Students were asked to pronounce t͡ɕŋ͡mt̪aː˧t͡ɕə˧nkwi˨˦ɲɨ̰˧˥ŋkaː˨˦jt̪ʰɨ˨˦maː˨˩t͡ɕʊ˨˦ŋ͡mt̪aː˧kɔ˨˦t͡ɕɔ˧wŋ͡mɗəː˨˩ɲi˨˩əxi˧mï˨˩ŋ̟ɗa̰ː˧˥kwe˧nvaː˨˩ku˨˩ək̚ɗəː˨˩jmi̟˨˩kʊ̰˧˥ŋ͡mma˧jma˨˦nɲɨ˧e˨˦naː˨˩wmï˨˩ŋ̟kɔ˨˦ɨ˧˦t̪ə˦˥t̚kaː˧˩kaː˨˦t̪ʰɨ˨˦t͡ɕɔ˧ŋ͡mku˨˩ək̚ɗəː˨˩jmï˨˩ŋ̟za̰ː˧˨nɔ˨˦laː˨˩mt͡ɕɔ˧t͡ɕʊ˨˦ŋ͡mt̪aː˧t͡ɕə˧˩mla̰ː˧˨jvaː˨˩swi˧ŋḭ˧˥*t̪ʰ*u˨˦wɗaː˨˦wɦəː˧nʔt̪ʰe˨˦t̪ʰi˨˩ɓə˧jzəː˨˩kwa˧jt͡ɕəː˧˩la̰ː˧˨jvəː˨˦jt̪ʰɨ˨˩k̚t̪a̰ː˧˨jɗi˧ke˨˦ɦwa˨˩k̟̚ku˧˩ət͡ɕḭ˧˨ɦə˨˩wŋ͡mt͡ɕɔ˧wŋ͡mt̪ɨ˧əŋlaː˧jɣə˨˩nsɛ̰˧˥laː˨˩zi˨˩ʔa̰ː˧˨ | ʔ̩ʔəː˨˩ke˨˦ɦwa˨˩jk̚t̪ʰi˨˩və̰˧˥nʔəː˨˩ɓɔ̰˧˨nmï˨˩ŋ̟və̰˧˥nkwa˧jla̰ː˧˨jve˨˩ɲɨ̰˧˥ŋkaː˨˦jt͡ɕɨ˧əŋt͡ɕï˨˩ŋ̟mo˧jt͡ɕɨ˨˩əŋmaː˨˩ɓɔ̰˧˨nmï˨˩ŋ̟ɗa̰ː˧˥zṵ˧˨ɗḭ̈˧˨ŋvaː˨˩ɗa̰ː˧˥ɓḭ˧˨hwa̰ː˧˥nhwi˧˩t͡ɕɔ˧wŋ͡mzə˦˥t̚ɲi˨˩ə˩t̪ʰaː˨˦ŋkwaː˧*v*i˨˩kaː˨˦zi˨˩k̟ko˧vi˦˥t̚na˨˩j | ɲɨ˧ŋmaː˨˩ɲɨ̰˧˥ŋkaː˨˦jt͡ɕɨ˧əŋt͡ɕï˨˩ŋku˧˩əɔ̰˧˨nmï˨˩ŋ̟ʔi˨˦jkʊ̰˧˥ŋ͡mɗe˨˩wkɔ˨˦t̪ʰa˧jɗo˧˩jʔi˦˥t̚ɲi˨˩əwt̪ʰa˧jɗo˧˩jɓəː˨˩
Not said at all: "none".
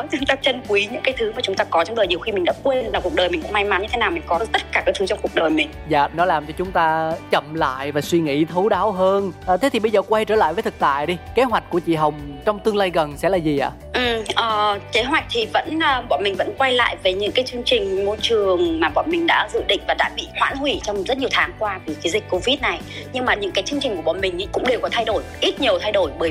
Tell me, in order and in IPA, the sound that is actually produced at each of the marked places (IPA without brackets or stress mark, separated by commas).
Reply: t̪ʰ, v